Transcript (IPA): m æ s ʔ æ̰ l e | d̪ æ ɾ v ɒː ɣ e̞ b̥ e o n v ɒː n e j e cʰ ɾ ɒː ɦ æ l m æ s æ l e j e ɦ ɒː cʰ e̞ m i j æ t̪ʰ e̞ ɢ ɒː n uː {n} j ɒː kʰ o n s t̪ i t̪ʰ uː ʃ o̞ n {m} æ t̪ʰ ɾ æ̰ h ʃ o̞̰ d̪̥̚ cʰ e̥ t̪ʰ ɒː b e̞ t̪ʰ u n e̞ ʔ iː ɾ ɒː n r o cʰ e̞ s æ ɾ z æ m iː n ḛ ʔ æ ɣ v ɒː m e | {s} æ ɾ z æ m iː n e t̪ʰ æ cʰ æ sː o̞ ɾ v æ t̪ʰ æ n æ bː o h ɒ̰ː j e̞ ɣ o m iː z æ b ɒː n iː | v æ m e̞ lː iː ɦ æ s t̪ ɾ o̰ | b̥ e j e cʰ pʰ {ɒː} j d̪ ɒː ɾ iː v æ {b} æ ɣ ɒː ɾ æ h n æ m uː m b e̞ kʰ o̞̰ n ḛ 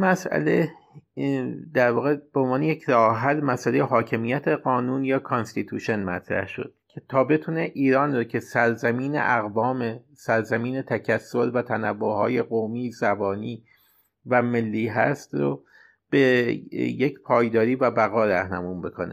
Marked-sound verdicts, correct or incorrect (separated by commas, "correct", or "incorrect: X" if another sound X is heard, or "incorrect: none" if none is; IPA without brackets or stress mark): correct, correct, correct, correct, correct